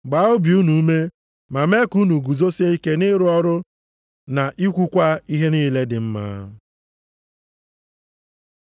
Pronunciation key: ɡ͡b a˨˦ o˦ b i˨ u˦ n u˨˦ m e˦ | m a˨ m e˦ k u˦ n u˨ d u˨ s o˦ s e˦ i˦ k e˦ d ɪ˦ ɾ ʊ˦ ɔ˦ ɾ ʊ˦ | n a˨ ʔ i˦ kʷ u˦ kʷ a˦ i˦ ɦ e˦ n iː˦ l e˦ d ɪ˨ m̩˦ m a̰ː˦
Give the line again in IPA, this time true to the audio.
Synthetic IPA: ɡ͡b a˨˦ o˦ b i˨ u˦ n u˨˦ m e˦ | m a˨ m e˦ k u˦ n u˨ ɡ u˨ z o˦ s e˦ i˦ k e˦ n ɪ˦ ɾ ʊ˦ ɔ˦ ɾ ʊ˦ | n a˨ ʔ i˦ kʷ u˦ kʷ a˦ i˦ ɦ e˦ n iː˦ l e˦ d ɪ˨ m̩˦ m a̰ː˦